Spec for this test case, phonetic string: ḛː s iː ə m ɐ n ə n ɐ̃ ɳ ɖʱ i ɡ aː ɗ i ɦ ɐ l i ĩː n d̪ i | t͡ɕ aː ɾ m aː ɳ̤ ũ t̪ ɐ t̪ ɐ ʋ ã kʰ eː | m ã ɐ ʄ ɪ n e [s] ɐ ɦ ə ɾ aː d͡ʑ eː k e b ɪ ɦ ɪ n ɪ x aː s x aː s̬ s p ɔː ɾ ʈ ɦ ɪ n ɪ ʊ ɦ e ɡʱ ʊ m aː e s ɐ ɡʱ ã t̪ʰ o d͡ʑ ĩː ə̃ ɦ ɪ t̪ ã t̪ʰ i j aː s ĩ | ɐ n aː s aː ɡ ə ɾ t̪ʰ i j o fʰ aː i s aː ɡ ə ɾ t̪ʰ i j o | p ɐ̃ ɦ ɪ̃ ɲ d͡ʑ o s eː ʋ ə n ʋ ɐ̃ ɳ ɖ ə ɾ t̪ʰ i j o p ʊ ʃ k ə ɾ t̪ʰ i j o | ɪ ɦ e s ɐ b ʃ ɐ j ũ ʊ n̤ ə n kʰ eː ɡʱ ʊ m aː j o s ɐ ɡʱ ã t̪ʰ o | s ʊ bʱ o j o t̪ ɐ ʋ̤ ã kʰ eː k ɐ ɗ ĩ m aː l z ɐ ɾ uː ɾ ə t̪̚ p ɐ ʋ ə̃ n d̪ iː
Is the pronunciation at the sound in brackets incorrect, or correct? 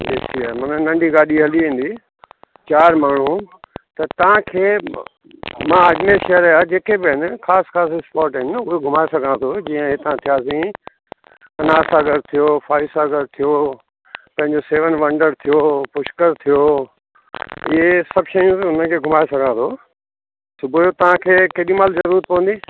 incorrect